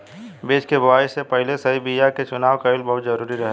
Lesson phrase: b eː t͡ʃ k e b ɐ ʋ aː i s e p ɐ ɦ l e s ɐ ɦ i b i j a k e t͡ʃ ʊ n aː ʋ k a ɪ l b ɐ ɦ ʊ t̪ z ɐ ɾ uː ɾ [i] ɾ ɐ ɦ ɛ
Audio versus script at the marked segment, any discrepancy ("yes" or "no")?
no